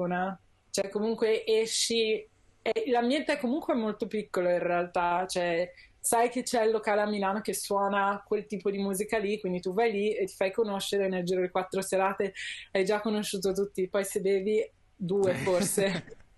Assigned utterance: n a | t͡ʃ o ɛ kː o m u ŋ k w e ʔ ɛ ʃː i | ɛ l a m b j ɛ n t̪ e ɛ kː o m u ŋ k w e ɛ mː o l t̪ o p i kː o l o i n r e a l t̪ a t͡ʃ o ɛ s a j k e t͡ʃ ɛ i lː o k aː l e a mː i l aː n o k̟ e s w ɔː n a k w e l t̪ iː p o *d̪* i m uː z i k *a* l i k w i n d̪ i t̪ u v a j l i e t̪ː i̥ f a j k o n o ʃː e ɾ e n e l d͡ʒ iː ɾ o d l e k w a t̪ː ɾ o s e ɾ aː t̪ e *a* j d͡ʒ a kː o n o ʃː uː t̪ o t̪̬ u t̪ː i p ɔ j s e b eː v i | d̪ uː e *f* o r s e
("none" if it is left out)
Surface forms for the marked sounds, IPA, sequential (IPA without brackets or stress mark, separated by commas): d̪, a, a, f